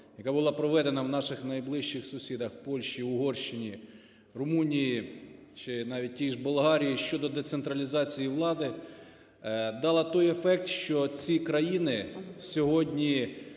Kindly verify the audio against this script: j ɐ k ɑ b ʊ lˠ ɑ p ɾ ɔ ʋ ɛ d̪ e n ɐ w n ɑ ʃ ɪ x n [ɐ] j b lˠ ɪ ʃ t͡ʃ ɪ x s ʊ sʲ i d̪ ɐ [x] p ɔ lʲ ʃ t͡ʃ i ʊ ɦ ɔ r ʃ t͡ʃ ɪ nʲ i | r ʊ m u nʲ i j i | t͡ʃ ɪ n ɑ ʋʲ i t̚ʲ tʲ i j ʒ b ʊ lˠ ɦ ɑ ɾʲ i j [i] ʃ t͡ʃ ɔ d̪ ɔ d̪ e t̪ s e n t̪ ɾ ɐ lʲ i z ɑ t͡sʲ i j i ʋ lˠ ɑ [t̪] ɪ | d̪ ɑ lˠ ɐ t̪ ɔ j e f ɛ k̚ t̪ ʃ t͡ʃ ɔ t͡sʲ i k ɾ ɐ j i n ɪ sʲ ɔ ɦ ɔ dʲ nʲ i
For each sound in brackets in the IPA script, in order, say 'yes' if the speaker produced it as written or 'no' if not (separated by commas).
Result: yes, yes, yes, no